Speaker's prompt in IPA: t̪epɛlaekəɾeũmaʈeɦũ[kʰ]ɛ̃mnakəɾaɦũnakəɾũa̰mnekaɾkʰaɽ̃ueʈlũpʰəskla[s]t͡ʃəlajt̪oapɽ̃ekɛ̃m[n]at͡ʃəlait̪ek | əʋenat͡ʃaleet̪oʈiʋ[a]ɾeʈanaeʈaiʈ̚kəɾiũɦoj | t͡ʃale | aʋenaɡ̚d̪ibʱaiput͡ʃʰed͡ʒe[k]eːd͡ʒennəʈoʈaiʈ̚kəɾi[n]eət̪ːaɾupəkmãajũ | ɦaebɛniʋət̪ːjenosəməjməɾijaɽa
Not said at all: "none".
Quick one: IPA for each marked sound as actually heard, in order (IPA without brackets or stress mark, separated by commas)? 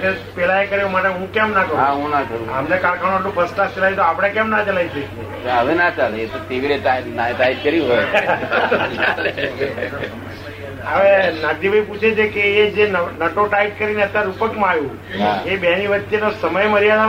k, s, n, i, k, n